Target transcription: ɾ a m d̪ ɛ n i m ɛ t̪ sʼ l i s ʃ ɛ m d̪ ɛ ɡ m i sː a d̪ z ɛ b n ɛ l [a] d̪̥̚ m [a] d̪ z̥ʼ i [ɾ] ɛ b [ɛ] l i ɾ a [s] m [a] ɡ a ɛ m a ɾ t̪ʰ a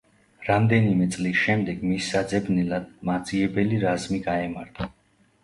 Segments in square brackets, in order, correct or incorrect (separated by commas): correct, correct, incorrect, correct, incorrect, incorrect